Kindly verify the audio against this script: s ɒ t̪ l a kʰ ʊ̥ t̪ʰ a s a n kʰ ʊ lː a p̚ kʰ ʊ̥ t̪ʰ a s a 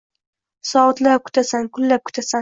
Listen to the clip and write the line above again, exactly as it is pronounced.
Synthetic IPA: s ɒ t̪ l a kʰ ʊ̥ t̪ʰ a s a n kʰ ʊ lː a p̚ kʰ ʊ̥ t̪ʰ a s a